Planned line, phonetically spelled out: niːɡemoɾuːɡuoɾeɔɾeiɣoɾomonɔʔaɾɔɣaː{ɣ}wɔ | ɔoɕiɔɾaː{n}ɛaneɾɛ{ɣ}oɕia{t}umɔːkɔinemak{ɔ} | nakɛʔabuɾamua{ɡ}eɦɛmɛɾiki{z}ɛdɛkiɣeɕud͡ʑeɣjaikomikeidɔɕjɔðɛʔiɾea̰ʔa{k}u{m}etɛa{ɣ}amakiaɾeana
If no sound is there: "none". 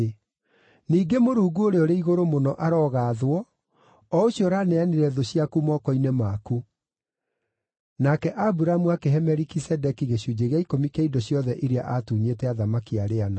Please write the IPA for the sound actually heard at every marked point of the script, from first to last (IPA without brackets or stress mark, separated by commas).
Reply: ð, n, ð, k, u, k, s, t, ɲ, ð